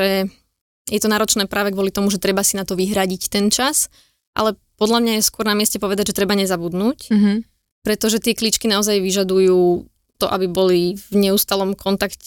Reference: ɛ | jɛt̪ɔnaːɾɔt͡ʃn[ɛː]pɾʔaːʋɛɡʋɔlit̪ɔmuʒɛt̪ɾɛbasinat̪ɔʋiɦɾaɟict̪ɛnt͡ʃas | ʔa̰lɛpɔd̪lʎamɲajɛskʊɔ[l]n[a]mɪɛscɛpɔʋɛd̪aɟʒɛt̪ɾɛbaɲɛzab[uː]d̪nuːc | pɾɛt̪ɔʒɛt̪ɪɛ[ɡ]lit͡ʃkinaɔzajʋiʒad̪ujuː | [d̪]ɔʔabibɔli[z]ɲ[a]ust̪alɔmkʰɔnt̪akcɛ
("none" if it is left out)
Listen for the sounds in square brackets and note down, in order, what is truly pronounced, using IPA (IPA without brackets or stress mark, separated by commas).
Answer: ɛː, ɾ, a, u, k, t̪, v, ɛ